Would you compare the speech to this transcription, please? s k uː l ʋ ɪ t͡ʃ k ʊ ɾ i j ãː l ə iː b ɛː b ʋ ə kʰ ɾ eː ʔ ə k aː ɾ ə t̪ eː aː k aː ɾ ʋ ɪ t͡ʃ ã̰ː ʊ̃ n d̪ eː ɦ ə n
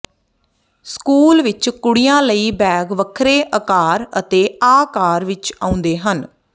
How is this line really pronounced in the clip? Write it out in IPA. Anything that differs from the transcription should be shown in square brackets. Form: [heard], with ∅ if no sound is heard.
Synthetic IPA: s k uː l ʋ ɪ t͡ʃ k ʊ [ɽ] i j ãː l ə iː b ɛː [ɡ] ʋ ə kʰ ɾ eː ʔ ə k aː ɾ ə t̪ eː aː k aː ɾ ʋ ɪ t͡ʃ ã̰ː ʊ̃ n d̪ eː ɦ ə n

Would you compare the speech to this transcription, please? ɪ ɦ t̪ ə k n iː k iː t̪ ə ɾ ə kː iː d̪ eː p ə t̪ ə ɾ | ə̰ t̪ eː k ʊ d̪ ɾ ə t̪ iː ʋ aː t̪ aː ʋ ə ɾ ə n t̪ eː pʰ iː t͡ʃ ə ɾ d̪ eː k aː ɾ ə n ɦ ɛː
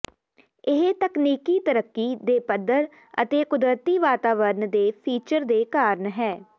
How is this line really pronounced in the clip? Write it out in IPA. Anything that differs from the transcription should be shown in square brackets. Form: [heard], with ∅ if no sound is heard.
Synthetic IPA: ɪ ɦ t̪ ə k n iː k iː t̪ ə ɾ ə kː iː d̪ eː p ə [d̪] ə ɾ | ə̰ t̪ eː k ʊ d̪ ɾ ə t̪ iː ʋ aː t̪ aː ʋ ə ɾ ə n [d̪] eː pʰ iː t͡ʃ ə ɾ d̪ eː k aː ɾ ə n ɦ ɛː

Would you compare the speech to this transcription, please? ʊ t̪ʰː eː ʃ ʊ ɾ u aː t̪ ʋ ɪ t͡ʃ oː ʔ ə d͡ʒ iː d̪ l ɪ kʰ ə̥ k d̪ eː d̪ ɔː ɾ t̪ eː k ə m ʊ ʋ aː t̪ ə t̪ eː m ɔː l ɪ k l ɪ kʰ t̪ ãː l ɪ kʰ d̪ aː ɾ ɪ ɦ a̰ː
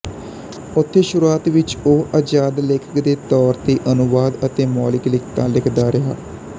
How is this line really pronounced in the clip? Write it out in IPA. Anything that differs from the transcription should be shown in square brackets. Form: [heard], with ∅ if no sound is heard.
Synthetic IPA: ʊ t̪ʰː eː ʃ ʊ ɾ u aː t̪ ʋ ɪ t͡ʃ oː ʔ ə d͡ʒ [aː] d̪ l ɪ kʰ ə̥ k d̪ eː [t̪] ɔː ɾ t̪ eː [ʔ] ə [n] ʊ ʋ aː [d̪] ə t̪ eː m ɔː l ɪ k l ɪ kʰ t̪ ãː l ɪ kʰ d̪ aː ɾ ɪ ɦ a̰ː

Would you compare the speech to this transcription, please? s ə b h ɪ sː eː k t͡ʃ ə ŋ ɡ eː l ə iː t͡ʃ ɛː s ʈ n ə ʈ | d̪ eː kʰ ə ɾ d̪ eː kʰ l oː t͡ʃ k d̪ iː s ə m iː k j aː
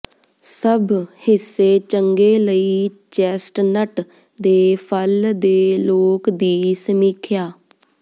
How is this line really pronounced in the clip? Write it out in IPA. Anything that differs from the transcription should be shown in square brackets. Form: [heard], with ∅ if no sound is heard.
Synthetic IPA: s ə b h ɪ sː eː [∅] t͡ʃ ə ŋ ɡ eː l ə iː t͡ʃ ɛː s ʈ n ə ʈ | d̪ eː [pʰ] ə [l] d̪ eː [∅] l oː [∅] k d̪ iː s ə m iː [kʰ] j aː

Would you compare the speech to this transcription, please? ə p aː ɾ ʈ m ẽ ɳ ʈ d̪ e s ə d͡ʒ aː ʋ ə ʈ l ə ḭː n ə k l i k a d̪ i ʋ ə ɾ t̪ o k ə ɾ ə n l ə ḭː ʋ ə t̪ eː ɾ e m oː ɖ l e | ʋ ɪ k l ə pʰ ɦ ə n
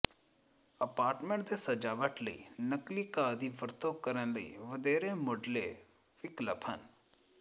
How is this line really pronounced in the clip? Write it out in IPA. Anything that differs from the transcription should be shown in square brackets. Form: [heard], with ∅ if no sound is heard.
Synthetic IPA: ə p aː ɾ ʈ m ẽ ɳ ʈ d̪ e s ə d͡ʒ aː ʋ ə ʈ l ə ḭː n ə k l i k a d̪ i ʋ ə ɾ t̪ o k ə ɾ ə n l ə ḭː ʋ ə [d̪] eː ɾ e m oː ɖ l e | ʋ ɪ k l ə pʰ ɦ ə n

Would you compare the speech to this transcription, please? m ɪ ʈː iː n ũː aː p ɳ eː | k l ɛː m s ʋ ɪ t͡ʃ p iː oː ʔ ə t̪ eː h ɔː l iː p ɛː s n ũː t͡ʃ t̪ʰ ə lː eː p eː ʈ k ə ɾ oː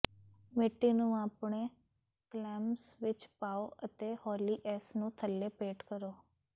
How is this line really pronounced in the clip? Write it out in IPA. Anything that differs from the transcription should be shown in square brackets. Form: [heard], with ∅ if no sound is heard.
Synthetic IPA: m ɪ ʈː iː n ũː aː p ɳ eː | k l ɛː m s ʋ ɪ t͡ʃ p [aː] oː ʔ ə t̪ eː h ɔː l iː [ʔ] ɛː s n ũː [∅] t̪ʰ ə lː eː p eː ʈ k ə ɾ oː

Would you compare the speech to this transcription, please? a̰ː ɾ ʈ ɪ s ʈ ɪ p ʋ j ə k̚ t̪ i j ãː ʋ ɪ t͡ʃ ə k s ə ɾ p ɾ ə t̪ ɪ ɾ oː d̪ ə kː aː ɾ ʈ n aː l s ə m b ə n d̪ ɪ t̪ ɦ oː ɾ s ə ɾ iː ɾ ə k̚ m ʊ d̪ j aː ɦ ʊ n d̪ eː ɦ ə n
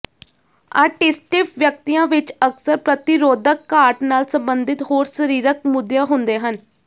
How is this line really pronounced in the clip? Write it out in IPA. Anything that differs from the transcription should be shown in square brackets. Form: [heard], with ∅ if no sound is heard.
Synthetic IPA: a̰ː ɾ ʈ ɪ s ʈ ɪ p ʋ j ə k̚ t̪ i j ãː ʋ ɪ t͡ʃ ə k s ə ɾ p ɾ ə t̪ ɪ ɾ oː d̪ ə kː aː ɾ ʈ n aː l s ə m b ə n d̪ ɪ t̪ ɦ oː ɾ s ə ɾ iː ɾ ə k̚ m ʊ d̪ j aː ɦ ʊ n d̪ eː ɦ ə n

